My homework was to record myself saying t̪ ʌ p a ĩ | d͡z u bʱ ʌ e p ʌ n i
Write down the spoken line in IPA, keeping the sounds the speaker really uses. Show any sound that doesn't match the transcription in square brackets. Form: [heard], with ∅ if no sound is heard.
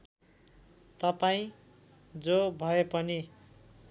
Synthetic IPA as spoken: t̪ ʌ p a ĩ | d͡z [o] bʱ ʌ e p ʌ n i